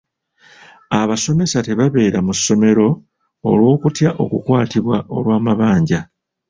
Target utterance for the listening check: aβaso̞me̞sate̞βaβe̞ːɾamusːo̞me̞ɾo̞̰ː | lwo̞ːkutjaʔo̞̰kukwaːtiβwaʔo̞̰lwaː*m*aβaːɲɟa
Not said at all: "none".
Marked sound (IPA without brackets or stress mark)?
m